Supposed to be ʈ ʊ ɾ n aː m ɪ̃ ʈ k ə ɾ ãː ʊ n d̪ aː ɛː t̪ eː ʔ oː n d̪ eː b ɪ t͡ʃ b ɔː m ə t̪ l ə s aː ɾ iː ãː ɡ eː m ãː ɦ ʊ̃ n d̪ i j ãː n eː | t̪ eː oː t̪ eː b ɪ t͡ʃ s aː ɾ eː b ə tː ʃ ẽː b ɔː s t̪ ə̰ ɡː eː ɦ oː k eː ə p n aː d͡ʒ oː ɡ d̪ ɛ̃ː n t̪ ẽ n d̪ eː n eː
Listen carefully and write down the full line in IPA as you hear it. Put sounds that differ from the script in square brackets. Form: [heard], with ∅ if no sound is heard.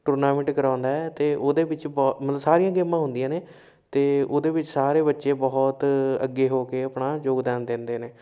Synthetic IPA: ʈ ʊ ɾ n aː m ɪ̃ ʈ k ə ɾ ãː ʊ n d̪ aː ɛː t̪ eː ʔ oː [∅] d̪ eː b ɪ t͡ʃ b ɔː m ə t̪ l ə s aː ɾ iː ãː ɡ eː m ãː ɦ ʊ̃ n d̪ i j ãː n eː | t̪ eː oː [d̪] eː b ɪ t͡ʃ s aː ɾ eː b ə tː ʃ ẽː b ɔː [∅] t̪ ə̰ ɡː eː ɦ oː k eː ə p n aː d͡ʒ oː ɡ d̪ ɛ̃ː n [d̪] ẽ n d̪ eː n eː